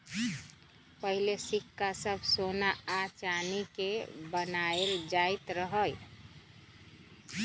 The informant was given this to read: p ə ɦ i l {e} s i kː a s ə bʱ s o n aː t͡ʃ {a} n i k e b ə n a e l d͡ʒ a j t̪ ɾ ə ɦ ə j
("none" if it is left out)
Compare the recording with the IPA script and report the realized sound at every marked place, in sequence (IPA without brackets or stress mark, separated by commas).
e, a